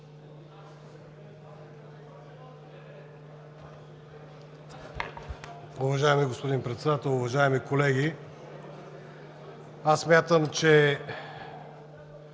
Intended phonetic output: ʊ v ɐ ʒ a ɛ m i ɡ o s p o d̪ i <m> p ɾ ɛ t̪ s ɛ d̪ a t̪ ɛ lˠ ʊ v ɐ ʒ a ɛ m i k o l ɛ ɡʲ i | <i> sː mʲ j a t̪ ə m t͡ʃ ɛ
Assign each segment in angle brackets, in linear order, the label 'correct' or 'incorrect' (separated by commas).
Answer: incorrect, incorrect